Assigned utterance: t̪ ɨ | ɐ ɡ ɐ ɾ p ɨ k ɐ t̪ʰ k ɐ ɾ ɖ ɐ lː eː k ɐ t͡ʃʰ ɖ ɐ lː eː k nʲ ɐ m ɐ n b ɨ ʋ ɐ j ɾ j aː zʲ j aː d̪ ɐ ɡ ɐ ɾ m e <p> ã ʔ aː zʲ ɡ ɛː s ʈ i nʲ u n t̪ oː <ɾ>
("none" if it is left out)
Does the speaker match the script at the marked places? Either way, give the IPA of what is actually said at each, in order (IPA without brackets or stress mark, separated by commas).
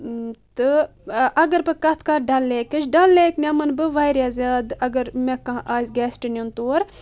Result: k, ɾ